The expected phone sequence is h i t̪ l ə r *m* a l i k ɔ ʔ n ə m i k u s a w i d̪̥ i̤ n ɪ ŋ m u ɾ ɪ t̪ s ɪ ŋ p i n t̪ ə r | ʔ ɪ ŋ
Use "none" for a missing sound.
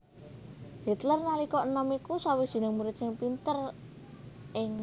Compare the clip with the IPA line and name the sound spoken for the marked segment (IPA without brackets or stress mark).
n